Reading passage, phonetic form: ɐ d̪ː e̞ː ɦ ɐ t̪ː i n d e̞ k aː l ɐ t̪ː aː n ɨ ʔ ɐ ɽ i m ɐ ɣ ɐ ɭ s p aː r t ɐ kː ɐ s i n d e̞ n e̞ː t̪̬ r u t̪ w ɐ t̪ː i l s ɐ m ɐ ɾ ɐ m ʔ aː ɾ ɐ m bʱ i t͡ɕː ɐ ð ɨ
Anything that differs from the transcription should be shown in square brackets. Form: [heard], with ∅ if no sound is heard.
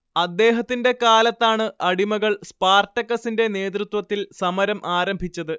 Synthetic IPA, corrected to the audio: ɐ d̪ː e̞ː ɦ ɐ t̪ː i n d e̞ k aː l ɐ t̪ː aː [ɳ] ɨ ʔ ɐ ɽ i m ɐ ɣ ɐ ɭ s p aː r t ɐ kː ɐ s i n d e̞ n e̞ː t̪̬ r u t̪ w ɐ t̪ː i l s ɐ m ɐ ɾ ɐ m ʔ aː ɾ ɐ m bʱ i t͡ɕː ɐ ð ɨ